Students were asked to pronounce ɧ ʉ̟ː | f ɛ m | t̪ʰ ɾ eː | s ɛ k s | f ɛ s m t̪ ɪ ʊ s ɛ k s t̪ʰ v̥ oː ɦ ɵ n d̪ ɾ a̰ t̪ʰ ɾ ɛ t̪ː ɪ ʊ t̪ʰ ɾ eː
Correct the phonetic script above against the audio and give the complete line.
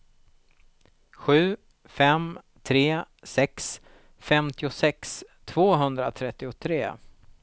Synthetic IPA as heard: ɧ ʉ̟ː | f ɛ m | t̪ʰ ɾ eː | s ɛ k s | f ɛ m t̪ ɪ ʊ s ɛ k s t̪ʰ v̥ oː ɦ ɵ n d̪ ɾ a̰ t̪ʰ ɾ ɛ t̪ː ɪ ʊ t̪ʰ ɾ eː